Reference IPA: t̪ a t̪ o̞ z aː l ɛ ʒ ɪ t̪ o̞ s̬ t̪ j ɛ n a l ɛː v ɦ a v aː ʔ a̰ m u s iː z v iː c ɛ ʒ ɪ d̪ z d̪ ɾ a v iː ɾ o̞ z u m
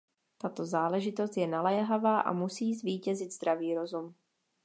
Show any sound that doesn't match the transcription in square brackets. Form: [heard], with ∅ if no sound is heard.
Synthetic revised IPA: t̪ a t̪ o̞ z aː l ɛ ʒ ɪ t̪ o̞ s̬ t̪ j ɛ n a l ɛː [∅] ɦ a v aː ʔ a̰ m u s iː z v iː c ɛ [z] ɪ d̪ z d̪ ɾ a v iː ɾ o̞ z u m

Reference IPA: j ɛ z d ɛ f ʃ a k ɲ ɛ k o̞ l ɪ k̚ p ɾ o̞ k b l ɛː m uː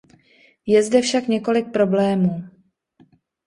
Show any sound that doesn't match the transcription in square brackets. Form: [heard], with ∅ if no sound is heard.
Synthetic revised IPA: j ɛ z d ɛ f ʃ a k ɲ ɛ k o̞ l ɪ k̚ p ɾ o̞ [∅] b l ɛː m uː

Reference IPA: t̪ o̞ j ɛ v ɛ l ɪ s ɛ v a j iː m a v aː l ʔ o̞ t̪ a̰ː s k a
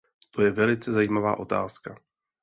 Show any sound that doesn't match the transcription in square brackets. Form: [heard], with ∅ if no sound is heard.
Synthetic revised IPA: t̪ o̞ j ɛ v ɛ l ɪ [t͡s] ɛ [z] a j iː m a v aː [∅] ʔ o̞ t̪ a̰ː s k a

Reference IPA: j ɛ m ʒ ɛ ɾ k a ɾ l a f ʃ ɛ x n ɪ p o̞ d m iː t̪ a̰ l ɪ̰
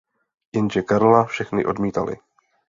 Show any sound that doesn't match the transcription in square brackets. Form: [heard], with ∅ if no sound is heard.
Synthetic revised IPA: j ɛ [n] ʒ ɛ [∅] k a ɾ l a f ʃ ɛ x n ɪ [ʔ] o̞ d m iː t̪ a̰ l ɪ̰

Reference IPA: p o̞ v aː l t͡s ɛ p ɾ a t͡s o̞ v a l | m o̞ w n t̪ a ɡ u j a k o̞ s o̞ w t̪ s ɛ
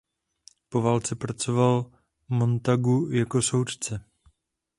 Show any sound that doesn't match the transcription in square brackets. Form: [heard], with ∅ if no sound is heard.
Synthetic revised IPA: p o̞ v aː l t͡s ɛ p ɾ a t͡s o̞ v a l | m o̞ [∅] n t̪ a ɡ u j a k o̞ s o̞ w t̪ [t͡s] ɛ

